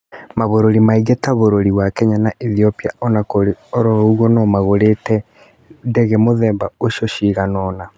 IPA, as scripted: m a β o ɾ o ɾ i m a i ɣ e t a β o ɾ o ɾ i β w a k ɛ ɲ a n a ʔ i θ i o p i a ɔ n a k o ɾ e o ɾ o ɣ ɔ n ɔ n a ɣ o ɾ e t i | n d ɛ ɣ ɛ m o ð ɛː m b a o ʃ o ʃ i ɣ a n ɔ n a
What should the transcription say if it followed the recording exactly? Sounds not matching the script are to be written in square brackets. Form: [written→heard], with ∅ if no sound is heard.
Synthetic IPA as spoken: m a β o ɾ o ɾ i m a i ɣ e t a β o ɾ o ɾ i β w a k ɛ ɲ a n a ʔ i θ i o p i a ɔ n a k o ɾ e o ɾ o ɣ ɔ n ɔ [n→m] a ɣ o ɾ e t [i→ɛ] | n d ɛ ɣ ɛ m o ð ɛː m b a o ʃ o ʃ i ɣ a n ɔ n a